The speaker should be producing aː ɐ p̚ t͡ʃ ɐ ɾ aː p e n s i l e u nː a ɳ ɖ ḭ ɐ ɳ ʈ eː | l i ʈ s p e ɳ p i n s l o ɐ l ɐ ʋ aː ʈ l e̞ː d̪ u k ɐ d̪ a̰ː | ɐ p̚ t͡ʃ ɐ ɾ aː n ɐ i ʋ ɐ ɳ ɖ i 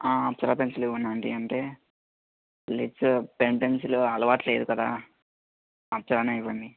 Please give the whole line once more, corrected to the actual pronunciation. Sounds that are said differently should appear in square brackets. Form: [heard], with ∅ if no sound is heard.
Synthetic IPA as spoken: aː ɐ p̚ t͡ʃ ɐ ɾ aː p e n s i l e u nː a ɳ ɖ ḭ ɐ ɳ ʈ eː | l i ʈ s p e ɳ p [e] n s l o ɐ l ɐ ʋ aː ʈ l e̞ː d̪ u k ɐ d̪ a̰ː | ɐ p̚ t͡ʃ ɐ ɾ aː n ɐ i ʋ ɐ ɳ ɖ i